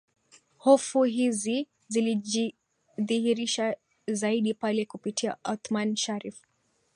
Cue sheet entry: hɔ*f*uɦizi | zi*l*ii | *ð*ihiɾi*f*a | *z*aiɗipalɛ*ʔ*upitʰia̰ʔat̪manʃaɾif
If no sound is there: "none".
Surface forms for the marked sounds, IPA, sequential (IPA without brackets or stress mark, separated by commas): f, l, ð, ʃ, z, k